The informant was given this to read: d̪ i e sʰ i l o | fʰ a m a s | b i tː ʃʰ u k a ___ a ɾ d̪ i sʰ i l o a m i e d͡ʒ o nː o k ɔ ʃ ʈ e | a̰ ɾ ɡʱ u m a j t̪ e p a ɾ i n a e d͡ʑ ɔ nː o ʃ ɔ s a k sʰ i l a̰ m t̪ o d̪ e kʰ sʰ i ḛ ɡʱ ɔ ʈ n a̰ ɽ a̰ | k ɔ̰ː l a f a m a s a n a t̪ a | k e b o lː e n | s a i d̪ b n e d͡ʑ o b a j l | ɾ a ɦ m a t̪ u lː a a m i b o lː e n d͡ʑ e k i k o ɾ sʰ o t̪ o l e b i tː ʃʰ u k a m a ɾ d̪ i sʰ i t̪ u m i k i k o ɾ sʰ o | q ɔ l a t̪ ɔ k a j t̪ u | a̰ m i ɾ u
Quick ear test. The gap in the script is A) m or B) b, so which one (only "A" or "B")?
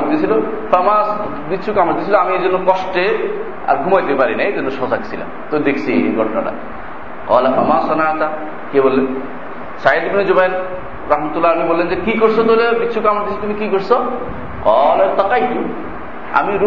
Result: A